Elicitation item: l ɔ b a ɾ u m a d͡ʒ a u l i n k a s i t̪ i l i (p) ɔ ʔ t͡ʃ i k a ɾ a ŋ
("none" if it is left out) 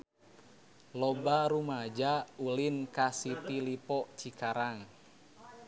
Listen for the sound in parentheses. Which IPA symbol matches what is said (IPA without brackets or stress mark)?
p